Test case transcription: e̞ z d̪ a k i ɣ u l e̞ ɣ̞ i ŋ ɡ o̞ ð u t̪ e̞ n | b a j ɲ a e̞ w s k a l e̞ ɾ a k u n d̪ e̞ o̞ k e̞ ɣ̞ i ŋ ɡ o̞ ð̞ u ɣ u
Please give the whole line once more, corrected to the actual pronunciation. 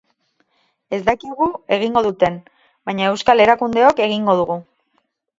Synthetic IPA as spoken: e̞ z d̪ a k i ɣ u e̞ ɣ̞ i ŋ ɡ o̞ ð u t̪ e̞ n | b a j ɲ a e̞ w s k a l e̞ ɾ a k u n d̪ e̞ o̞ k e̞ ɣ̞ i ŋ ɡ o̞ ð̞ u ɣ u